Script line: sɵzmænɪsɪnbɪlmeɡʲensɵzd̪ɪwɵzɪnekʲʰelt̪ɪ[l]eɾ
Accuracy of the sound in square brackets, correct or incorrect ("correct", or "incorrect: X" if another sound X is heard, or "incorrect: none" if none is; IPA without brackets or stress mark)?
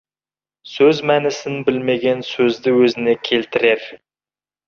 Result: incorrect: ɾ